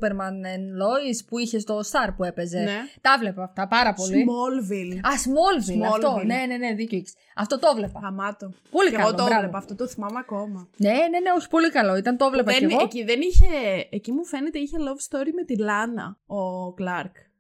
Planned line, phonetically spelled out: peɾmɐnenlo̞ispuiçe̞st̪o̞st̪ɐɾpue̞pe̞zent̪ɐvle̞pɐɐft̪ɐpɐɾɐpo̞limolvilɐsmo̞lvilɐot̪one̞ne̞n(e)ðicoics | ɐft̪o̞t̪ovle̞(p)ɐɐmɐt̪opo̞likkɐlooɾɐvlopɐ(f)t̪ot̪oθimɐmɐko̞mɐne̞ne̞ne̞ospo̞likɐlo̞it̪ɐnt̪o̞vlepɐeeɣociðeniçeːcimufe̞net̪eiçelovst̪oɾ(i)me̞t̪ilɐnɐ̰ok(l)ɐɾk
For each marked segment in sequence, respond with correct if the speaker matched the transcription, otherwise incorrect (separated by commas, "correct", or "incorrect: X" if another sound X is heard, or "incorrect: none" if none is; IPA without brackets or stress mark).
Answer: correct, correct, correct, correct, correct